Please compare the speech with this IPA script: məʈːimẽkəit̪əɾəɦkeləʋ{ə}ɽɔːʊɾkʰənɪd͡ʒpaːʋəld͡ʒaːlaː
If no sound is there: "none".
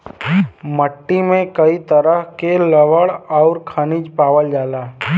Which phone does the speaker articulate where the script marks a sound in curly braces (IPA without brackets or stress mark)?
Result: ə